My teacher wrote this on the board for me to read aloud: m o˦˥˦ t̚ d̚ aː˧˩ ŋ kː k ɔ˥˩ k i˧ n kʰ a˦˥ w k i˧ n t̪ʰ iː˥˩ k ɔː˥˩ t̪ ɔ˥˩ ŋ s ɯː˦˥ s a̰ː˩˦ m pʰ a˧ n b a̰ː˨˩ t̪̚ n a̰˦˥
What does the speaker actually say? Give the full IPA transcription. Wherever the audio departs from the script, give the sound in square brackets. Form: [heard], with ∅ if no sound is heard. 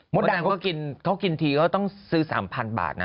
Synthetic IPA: m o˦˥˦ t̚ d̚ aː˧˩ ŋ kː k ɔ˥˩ k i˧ n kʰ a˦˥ w k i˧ n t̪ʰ [iː˧] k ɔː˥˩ t̪ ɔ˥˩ ŋ s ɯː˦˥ s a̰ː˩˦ m pʰ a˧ n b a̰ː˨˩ t̪̚ n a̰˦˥

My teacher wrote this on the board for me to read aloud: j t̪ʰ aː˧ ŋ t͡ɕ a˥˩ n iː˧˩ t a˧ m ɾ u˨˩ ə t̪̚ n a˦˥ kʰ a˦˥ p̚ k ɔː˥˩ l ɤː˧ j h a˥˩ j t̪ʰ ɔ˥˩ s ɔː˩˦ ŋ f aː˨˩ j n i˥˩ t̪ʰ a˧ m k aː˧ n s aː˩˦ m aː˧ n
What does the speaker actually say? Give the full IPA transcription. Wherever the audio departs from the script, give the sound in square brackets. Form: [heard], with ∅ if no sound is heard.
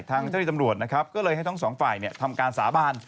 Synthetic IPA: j t̪ʰ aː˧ ŋ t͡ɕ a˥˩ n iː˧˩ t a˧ m ɾ u˨˩ ə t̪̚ n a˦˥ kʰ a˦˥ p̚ k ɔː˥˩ l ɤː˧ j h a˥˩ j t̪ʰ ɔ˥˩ s ɔː˩˦ ŋ f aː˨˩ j n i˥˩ t̪ʰ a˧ m k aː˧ n s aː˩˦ [b] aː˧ n

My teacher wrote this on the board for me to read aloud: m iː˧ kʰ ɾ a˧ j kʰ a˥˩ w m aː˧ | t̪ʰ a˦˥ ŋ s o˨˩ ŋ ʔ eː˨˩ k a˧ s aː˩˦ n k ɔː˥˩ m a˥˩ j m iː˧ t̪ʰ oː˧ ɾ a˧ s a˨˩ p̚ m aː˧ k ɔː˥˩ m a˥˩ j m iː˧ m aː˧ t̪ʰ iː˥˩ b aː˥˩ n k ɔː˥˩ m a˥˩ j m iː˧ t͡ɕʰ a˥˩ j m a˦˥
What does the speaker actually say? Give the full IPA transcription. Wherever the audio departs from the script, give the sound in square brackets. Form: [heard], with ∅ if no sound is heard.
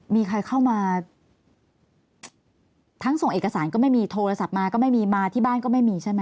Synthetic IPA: m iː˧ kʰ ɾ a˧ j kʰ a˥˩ w m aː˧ | t̪ʰ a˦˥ ŋ s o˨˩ ŋ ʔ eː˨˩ k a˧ s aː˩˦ n k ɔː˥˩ m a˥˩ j m iː˧ t̪ʰ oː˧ ɾ a˧ s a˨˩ p̚ m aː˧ k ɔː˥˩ m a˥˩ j m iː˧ m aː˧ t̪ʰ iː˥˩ b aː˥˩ n k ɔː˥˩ m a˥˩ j m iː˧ t͡ɕʰ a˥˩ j m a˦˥

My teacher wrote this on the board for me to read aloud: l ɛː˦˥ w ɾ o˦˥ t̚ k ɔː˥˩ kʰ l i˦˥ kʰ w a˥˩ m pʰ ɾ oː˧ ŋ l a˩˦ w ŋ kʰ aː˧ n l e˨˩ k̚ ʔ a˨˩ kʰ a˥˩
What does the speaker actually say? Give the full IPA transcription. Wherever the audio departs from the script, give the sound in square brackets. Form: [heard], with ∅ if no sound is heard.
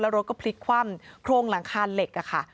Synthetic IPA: l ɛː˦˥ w ɾ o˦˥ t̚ k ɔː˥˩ [pʰ] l i˦˥ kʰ w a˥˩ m [kʰ] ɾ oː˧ ŋ l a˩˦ [∅] ŋ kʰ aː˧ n l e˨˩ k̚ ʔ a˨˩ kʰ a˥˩

